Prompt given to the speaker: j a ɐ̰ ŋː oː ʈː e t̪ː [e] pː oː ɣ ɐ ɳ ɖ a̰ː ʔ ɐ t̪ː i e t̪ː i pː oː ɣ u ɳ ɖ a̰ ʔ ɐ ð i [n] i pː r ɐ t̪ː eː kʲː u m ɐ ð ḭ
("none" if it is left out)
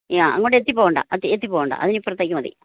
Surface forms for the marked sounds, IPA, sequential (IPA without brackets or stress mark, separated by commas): i, n